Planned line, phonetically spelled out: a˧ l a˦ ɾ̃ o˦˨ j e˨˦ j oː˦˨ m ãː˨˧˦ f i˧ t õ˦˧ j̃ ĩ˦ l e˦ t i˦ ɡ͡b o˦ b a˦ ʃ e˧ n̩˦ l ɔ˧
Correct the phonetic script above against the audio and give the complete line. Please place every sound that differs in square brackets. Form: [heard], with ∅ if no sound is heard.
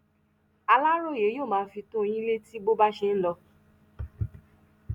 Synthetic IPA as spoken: a˧ l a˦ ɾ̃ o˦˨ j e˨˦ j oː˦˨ m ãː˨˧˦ f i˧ t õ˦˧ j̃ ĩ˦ l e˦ t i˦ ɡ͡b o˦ b a˦ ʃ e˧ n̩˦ l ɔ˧